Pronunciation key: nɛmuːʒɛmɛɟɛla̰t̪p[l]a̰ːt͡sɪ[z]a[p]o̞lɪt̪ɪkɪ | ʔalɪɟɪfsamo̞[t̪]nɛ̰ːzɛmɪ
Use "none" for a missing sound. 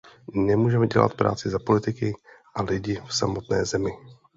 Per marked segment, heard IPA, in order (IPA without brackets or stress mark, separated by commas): ɾ, z, p, t̪